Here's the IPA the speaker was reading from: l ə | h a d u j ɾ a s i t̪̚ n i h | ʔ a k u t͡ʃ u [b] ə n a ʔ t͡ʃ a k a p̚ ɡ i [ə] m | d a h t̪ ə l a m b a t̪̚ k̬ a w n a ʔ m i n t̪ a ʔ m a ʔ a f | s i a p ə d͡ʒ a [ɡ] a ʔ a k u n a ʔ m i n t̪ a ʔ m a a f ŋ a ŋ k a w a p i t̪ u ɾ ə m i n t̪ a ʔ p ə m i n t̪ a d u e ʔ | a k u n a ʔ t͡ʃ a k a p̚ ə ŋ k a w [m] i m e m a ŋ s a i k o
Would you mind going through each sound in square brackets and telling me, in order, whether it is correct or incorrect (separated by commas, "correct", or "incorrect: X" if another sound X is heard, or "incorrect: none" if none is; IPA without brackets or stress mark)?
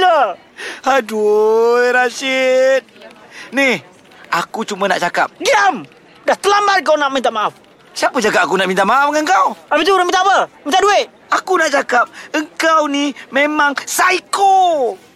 incorrect: m, incorrect: a, correct, incorrect: n